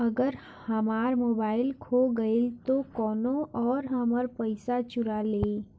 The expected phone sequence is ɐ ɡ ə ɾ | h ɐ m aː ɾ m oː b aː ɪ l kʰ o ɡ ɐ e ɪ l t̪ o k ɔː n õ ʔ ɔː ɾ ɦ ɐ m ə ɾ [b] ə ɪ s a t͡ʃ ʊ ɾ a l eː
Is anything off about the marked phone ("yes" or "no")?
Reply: yes